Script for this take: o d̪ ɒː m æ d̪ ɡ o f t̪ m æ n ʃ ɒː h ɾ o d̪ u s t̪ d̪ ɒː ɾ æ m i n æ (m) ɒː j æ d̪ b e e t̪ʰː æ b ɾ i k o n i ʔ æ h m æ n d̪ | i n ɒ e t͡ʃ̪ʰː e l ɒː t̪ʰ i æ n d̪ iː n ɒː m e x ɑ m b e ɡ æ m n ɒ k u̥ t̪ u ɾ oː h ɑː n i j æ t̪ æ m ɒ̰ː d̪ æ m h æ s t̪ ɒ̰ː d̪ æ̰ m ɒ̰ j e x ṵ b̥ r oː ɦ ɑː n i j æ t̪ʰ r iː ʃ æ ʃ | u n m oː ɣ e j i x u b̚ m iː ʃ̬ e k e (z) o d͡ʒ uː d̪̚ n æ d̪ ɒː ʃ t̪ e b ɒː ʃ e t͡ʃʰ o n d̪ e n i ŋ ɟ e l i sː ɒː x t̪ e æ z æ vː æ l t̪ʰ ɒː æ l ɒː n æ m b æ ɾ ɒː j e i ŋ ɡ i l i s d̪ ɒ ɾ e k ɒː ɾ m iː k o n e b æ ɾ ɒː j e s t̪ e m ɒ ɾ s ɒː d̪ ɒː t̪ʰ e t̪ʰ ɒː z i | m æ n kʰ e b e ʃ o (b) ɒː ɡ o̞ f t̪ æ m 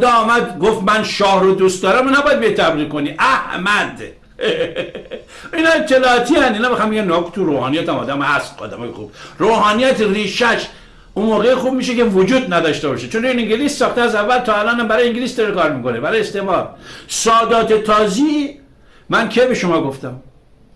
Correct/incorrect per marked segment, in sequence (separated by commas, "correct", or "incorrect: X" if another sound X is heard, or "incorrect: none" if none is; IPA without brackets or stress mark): incorrect: b, incorrect: v, incorrect: m